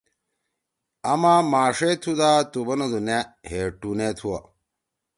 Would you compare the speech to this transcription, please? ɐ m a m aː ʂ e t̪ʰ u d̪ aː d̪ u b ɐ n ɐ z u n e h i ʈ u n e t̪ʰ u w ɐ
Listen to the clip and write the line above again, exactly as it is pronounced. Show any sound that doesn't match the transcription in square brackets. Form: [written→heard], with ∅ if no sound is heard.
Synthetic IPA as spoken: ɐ m a m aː ʂ e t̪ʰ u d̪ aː [d̪→t̪] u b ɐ n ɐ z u n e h [i→e] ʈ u n e t̪ʰ u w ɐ